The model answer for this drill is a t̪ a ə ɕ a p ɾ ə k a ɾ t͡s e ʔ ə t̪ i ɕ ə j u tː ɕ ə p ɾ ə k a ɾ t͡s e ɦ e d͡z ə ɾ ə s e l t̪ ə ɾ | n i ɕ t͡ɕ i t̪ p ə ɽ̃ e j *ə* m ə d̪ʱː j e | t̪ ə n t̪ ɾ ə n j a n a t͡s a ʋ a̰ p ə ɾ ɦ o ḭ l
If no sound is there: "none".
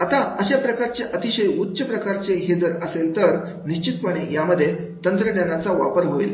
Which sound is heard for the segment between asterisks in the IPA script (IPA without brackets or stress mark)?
a